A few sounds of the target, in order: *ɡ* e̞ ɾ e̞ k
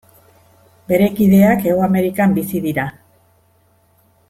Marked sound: incorrect: b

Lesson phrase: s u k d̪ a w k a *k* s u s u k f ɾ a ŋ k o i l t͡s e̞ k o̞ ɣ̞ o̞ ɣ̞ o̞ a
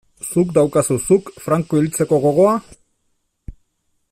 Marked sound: incorrect: none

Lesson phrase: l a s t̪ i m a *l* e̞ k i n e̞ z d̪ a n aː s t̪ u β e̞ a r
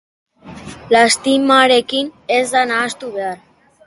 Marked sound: incorrect: ɾ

